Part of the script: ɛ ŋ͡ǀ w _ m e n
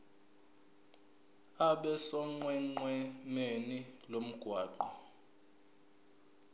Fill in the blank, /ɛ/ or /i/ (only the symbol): ɛ